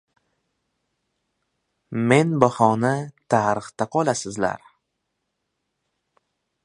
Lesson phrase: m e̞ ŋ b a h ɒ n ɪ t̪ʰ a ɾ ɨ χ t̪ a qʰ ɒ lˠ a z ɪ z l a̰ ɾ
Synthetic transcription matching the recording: m e̞ n b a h ɒ n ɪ t̪ʰ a ɾ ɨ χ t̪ a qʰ ɒ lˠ a s ɪ z l a̰ ɾ